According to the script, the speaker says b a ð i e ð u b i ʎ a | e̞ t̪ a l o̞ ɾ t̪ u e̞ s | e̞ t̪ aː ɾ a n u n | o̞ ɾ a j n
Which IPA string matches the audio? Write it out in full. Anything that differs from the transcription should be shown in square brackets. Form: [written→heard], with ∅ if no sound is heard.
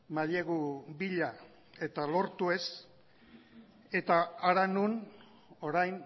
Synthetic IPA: [b→m] a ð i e [ð→ɣ] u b i ʎ a | e̞ t̪ a l o̞ ɾ t̪ u e̞ s | e̞ t̪ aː ɾ a n u n | o̞ ɾ a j n

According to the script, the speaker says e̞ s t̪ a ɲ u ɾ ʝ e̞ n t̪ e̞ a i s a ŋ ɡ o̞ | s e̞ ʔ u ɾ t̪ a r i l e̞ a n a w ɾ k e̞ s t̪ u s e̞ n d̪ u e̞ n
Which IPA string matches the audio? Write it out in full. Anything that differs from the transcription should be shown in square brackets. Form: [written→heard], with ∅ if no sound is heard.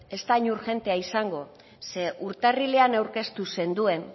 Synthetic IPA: e̞ s t̪ a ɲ u ɾ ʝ e̞ n t̪ e̞ a i s a ŋ ɡ o̞ | s e̞ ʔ u ɾ t̪ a r i l e̞ a n a w ɾ k e̞ s t̪ u s e̞ n d̪ u e̞ n

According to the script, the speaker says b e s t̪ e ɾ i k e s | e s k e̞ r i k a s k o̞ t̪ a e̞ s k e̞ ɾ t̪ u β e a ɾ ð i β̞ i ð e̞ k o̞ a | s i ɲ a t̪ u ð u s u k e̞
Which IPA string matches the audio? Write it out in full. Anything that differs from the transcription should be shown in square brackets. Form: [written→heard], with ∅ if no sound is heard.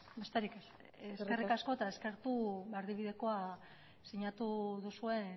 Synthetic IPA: b e s t̪ e ɾ i k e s | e s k e̞ r i k a s k o̞ t̪ a e̞ s k e̞ ɾ t̪ u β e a ɾ ð i β̞ i ð e̞ k o̞ a | s i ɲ a t̪ u ð u s u [k→∅] e̞

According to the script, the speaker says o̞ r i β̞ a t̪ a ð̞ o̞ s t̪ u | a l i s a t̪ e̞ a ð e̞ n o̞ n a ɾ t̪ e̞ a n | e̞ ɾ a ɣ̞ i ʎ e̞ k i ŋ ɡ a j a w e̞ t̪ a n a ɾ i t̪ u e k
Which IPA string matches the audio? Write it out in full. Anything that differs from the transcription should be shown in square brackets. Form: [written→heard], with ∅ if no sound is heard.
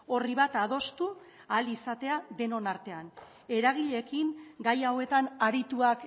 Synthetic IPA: o̞ r i β̞ a t̪ a ð̞ o̞ s t̪ u | a l i s a t̪ e̞ a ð e̞ n o̞ n a ɾ t̪ e̞ a n | e̞ ɾ a ɣ̞ i ʎ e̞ k i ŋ ɡ a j a w e̞ t̪ a n a ɾ i t̪ u [e→a] k

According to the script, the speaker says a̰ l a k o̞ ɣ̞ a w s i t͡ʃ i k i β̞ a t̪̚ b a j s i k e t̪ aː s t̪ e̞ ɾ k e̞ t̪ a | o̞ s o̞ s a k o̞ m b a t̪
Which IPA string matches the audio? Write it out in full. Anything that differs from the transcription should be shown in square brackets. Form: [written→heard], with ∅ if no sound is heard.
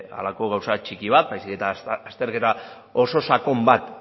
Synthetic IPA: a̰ l a k o̞ ɣ̞ a w s [i→a] t͡ʃ i k i β̞ a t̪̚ b a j s i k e t̪ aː s t̪ e̞ ɾ k e̞ t̪ a | o̞ s o̞ s a k o̞ m b a t̪

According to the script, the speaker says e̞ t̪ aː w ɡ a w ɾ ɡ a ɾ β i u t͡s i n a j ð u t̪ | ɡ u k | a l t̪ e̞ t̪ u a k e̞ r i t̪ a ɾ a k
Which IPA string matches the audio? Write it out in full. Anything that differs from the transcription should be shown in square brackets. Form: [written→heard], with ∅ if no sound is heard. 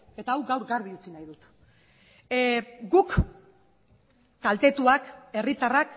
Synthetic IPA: e̞ t̪ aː w ɡ a w ɾ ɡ a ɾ β i u t͡s i n a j ð u t̪ | ɡ u k | a l t̪ e̞ t̪ u a k e̞ r i t̪ a [ɾ→r] a k

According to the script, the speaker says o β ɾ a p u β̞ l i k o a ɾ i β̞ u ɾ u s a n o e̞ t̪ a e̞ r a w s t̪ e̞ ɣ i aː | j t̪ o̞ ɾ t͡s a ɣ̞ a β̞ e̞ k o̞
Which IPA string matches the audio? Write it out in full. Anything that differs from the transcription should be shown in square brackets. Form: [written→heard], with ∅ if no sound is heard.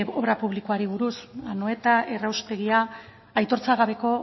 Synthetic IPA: o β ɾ a p u β̞ l i k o a ɾ i β̞ u ɾ u s a n o e̞ t̪ a e̞ r a w s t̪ e̞ ɣ i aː | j t̪ o̞ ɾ t͡s a ɣ̞ a β̞ e̞ k o̞

